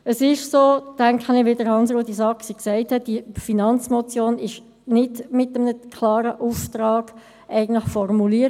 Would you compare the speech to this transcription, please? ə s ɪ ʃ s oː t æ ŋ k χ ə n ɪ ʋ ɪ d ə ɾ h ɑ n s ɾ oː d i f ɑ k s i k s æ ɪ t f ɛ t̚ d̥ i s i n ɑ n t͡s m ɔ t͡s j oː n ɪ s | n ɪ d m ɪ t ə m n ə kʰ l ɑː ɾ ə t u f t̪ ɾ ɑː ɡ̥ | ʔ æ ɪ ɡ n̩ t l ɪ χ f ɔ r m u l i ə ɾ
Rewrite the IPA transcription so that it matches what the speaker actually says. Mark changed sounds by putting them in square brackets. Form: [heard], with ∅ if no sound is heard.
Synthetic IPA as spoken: ə s ɪ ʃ s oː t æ ŋ k χ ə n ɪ ʋ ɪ d ə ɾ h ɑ n s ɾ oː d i [s] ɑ k s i k s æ ɪ t [h] ɛ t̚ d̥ i [f] i n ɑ n t͡s m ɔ t͡s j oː n ɪ [ʃ] | n ɪ d m ɪ t ə m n ə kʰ l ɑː ɾ ə [ʔ] u f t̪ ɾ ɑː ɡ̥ | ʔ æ ɪ ɡ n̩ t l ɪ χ f ɔ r m u l i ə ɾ